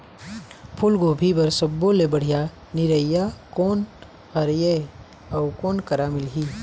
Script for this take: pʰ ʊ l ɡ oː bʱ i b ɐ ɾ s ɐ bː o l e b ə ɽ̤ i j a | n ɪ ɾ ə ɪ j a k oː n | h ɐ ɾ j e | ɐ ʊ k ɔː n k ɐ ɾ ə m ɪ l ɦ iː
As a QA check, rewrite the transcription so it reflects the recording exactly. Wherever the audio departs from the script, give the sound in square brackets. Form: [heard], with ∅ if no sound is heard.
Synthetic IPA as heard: pʰ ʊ l ɡ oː bʱ i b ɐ ɾ s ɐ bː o l e b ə ɽ̤ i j a | n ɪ ɾ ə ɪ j a k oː n | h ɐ ɾ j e | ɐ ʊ k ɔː n k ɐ ɾ [a] m ɪ l ɦ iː